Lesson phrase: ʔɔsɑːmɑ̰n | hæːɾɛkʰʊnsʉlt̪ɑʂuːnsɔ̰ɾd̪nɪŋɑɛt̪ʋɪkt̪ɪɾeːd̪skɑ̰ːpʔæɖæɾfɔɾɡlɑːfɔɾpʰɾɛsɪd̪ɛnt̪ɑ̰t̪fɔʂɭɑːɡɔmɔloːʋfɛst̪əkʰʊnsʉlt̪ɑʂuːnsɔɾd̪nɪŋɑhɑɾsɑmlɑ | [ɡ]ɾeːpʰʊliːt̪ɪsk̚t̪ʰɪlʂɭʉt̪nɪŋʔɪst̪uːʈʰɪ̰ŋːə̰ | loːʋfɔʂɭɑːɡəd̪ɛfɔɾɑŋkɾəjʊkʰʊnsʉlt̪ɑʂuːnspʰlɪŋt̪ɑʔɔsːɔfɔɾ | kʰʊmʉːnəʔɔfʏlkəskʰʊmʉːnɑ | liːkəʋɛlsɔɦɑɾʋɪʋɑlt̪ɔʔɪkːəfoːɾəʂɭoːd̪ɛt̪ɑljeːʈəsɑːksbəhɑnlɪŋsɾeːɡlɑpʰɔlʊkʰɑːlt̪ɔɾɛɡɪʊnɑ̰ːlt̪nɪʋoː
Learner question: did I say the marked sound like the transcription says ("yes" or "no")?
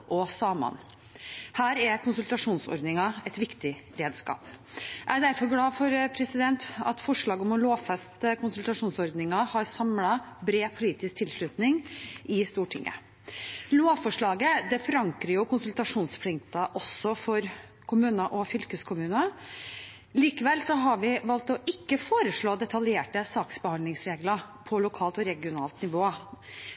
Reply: no